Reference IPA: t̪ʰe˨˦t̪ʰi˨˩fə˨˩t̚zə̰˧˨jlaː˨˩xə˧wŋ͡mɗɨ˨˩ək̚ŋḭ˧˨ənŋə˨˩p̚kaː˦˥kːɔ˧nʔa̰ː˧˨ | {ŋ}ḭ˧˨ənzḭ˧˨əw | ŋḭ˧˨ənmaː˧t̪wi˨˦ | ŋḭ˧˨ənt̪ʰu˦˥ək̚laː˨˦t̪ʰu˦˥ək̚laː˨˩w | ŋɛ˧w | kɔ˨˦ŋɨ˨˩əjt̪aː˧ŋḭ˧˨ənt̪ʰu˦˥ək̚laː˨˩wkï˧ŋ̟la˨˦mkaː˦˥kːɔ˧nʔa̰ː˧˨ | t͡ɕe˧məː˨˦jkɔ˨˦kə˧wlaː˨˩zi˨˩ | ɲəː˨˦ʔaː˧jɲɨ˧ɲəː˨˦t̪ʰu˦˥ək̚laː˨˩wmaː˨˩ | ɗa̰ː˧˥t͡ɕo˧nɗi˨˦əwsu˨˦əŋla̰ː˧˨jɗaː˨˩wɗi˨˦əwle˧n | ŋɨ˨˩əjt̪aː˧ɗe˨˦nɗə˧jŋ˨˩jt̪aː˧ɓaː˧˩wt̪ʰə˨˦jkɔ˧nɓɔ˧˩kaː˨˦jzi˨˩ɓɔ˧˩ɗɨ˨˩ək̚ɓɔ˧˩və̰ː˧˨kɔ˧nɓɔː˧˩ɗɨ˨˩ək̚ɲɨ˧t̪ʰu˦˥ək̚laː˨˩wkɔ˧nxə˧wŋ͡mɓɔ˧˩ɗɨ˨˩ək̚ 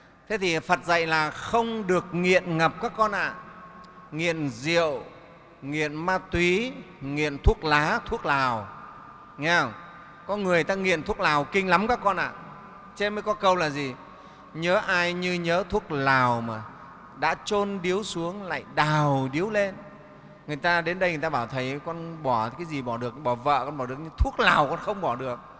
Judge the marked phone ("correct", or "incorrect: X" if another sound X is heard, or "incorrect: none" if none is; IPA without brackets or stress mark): correct